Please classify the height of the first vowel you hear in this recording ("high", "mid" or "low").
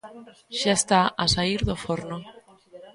low